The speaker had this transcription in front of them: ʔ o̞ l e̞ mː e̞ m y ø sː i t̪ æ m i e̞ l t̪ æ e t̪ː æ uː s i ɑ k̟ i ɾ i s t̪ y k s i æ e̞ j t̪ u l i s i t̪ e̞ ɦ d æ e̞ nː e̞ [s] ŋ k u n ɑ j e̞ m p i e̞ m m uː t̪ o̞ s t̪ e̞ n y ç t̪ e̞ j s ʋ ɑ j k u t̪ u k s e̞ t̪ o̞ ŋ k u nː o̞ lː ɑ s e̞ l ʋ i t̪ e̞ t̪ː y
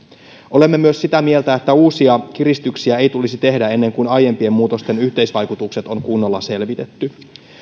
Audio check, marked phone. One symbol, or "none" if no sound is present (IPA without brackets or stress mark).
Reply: none